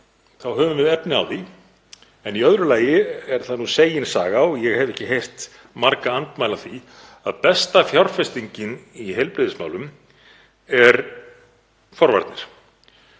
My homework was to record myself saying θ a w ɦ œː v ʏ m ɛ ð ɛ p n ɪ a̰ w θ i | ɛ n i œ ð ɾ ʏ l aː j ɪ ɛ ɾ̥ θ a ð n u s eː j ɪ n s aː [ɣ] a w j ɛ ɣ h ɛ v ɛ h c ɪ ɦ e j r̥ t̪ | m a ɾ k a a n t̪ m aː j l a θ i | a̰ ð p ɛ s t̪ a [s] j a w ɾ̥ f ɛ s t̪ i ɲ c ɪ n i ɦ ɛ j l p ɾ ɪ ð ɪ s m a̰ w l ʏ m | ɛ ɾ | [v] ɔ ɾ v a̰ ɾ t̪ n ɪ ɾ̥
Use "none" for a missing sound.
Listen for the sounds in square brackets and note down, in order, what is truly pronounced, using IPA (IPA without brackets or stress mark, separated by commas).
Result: ɣ, f, f